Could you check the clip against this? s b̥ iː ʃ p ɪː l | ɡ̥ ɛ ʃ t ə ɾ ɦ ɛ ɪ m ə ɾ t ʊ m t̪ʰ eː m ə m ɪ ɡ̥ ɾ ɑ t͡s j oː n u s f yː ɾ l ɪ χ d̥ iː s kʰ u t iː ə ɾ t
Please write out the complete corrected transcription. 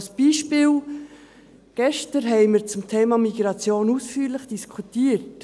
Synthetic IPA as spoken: s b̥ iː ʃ p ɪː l | ɡ̥ ɛ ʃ t ə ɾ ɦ ɛ ɪ m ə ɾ t͡s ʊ m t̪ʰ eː m ɑ m i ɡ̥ ɾ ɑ t͡s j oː n u s f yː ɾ l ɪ χ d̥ i s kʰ u t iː ə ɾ t